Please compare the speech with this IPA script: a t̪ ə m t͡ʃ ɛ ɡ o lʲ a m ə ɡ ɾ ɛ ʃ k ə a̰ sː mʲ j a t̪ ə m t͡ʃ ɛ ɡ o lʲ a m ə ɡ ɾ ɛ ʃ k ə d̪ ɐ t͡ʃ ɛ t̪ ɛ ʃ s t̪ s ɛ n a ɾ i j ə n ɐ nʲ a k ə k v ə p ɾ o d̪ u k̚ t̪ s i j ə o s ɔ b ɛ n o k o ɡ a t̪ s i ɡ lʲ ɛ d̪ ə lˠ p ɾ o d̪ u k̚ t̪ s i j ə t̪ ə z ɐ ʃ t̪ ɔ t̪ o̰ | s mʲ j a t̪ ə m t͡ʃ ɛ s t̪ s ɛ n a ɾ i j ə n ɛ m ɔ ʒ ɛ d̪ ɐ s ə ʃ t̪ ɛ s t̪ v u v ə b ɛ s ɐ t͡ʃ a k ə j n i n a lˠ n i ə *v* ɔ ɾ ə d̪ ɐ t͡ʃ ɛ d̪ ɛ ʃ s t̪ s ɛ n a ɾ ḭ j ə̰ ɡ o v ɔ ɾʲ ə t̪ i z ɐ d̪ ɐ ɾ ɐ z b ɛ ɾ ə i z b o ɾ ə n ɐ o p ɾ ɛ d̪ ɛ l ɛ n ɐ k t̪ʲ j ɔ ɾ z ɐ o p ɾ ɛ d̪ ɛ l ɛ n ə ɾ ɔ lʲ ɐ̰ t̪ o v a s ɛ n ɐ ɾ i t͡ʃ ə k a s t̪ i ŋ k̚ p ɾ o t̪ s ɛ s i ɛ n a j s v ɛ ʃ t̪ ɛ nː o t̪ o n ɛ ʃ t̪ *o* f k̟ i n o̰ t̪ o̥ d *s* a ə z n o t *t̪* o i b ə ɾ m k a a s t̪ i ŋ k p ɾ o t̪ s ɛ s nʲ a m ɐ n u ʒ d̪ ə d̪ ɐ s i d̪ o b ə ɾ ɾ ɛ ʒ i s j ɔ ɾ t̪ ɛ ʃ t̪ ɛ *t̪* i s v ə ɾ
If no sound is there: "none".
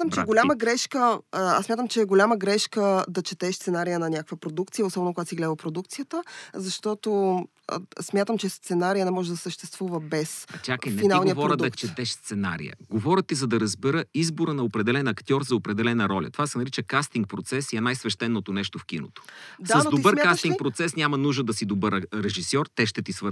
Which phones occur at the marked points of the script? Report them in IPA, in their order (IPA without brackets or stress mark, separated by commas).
v, o, s, d̪, t̪